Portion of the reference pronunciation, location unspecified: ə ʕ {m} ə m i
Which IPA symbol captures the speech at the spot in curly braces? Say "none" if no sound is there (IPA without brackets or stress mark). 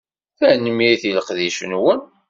n